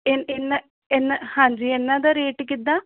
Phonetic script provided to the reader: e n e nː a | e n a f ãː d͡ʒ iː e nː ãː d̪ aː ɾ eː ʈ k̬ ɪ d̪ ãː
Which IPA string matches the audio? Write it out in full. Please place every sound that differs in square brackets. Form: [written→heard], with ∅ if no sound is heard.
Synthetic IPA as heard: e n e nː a | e n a [f→h] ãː d͡ʒ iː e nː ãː d̪ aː ɾ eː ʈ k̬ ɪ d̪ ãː